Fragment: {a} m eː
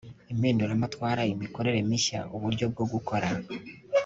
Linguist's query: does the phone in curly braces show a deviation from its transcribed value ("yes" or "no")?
yes